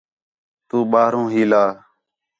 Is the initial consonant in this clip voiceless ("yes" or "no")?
yes